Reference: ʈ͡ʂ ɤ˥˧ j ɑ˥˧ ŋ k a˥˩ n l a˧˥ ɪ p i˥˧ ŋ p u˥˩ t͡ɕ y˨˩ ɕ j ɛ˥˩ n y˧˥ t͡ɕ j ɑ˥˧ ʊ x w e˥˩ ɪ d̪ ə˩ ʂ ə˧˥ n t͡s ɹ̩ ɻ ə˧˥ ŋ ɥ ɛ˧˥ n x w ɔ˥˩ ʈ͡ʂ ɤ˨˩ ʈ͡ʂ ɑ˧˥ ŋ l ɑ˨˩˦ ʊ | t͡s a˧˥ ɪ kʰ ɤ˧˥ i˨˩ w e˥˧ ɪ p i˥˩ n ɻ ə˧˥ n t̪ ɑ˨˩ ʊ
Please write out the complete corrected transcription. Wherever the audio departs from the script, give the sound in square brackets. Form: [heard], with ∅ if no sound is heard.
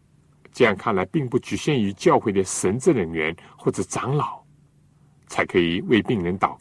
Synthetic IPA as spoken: ʈ͡ʂ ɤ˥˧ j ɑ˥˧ ŋ [kʰ] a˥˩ n l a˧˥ ɪ p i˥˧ ŋ p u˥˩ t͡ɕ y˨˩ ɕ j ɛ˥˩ n y˧˥ t͡ɕ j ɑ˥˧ ʊ x w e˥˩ ɪ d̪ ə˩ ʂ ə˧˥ n t͡s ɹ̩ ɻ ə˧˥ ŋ ɥ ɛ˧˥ n x w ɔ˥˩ ʈ͡ʂ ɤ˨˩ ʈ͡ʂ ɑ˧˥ ŋ l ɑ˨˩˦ ʊ | [t͡sʰ] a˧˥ ɪ kʰ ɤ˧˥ i˨˩ w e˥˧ ɪ p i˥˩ [ŋ] ɻ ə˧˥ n t̪ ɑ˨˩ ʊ